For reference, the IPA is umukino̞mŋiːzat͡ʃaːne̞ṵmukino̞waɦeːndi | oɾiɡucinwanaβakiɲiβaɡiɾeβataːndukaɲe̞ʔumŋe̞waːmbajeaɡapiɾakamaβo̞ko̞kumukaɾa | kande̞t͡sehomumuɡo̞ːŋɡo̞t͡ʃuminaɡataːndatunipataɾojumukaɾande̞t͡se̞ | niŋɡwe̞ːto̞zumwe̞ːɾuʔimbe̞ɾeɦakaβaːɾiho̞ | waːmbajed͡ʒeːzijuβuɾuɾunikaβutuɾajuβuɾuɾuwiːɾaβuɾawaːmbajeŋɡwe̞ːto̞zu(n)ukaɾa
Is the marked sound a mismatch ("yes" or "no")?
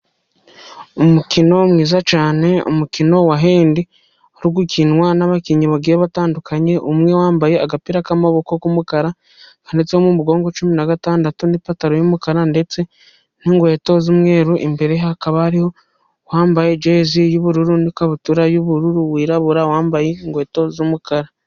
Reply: yes